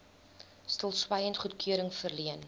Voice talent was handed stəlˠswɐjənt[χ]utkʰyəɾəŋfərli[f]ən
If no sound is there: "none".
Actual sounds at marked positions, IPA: χ, none

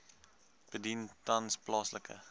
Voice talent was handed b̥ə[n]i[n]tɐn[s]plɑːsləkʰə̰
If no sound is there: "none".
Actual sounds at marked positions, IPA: d, n, s

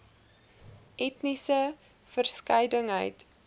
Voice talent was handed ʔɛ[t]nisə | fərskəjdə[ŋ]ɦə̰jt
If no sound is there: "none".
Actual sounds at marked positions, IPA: t, ŋ

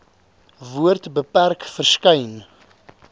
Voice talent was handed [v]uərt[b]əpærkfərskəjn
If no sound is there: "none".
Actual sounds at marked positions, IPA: v, b

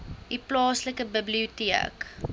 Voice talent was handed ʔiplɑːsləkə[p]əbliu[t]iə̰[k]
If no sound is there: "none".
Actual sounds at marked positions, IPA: b, t, k

